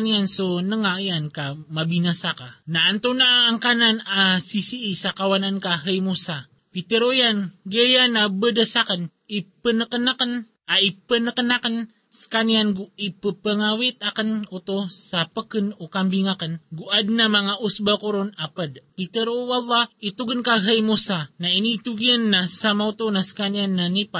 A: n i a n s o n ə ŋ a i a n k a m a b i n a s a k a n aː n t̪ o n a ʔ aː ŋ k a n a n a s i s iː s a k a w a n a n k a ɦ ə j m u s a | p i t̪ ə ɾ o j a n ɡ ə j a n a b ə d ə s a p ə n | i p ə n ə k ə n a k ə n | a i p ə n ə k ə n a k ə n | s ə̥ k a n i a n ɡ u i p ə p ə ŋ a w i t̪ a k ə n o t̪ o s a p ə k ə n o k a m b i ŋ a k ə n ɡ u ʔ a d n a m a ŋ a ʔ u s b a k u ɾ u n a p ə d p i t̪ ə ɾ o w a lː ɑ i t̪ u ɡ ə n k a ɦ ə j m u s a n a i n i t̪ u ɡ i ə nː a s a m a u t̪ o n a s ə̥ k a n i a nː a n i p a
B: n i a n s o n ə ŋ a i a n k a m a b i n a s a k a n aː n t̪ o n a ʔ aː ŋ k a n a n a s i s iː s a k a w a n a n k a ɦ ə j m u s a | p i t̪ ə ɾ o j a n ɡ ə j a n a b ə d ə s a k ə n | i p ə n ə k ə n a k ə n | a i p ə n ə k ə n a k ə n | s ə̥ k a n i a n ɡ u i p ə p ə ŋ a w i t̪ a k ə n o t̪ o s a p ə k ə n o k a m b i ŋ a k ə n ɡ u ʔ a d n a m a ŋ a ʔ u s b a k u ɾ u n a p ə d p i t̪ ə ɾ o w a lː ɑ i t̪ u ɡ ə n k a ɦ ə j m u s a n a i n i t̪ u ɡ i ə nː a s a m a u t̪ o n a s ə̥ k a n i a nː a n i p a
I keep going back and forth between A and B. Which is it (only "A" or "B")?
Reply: B